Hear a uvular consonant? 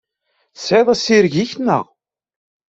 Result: yes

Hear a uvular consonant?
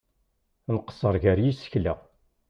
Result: yes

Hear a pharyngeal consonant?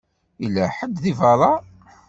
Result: yes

